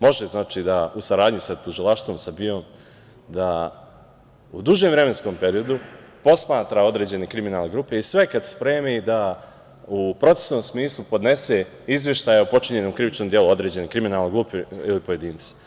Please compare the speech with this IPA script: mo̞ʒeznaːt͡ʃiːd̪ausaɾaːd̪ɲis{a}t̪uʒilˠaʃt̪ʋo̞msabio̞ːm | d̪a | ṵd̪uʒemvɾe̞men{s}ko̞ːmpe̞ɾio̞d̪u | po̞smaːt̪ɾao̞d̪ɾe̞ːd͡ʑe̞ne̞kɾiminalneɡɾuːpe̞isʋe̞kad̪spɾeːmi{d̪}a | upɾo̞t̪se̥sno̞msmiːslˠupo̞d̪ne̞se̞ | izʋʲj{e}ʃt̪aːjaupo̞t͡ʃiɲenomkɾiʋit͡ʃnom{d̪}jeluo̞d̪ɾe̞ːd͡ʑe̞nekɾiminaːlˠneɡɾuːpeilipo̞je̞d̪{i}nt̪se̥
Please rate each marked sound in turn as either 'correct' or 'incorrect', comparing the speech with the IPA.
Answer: correct, correct, correct, correct, correct, incorrect

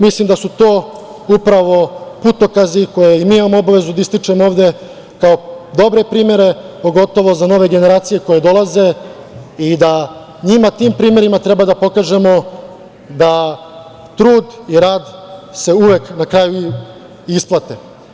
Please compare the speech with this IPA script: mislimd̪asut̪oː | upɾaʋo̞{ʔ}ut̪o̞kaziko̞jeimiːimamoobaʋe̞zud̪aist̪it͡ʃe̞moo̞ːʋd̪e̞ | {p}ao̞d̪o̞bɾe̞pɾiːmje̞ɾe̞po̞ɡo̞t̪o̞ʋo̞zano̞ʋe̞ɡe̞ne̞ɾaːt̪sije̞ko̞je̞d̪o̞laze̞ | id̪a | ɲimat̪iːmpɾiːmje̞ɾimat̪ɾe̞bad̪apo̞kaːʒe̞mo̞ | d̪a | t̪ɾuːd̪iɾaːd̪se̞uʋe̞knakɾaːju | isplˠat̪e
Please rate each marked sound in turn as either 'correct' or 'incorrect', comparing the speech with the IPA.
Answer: incorrect, incorrect

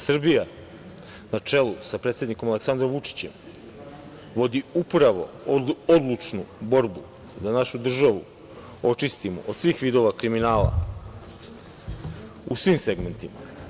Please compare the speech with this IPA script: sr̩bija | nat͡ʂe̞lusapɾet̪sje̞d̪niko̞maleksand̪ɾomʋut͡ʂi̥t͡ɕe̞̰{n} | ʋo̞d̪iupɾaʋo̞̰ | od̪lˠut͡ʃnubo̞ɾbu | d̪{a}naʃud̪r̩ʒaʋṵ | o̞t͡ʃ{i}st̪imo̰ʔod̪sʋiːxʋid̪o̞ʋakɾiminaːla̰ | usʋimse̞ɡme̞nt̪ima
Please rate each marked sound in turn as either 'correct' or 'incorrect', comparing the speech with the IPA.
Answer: incorrect, correct, correct

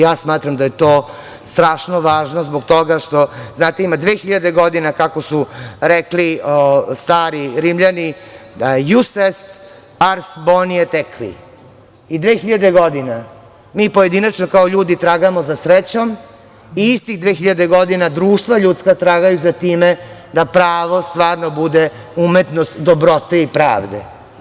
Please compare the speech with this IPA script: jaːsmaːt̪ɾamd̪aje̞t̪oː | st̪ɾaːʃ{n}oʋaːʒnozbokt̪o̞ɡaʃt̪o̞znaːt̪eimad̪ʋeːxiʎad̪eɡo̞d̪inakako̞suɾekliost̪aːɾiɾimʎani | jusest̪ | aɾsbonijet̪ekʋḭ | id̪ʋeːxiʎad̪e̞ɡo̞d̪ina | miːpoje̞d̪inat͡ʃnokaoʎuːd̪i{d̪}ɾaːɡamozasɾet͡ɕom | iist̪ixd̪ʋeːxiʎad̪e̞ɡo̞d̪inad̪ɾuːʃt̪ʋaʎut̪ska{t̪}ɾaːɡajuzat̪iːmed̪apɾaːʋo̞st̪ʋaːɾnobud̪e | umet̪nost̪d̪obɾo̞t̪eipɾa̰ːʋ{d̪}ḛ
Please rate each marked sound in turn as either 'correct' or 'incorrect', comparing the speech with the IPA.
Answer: correct, incorrect, correct, correct

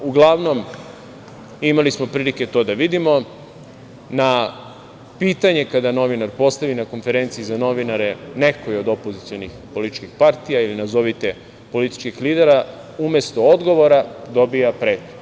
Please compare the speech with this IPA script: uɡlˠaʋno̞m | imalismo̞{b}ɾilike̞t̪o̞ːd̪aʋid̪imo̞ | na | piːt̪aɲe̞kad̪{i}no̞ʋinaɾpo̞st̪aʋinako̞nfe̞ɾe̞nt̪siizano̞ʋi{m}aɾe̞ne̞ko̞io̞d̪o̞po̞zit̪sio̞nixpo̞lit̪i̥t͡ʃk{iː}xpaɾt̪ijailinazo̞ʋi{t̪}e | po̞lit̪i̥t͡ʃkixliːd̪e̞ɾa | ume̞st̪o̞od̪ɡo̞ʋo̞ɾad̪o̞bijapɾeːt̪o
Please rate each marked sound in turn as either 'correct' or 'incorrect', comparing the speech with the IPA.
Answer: incorrect, incorrect, incorrect, incorrect, correct

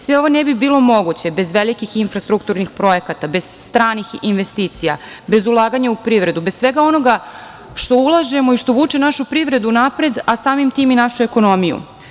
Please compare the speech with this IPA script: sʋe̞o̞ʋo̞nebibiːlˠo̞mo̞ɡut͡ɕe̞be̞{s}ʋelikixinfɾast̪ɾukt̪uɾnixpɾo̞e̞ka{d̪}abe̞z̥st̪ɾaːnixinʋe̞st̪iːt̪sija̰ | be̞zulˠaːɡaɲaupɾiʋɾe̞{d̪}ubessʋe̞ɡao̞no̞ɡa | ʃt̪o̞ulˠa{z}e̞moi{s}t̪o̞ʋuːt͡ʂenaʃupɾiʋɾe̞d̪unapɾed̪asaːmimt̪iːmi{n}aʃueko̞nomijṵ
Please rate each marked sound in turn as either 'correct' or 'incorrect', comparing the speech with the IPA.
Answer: incorrect, incorrect, correct, incorrect, incorrect, correct

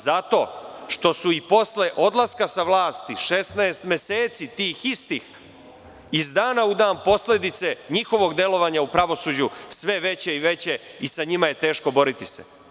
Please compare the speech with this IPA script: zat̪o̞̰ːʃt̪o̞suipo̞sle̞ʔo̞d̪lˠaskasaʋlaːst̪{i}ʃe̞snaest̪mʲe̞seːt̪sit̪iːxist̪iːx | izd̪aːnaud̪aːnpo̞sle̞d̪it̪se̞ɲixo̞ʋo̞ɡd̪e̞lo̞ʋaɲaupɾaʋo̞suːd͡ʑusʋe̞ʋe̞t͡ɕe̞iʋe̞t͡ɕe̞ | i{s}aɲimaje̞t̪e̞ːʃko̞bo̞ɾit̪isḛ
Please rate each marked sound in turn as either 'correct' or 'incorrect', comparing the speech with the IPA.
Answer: correct, correct

